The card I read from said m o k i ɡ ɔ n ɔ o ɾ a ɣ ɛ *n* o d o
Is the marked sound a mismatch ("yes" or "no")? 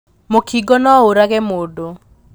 yes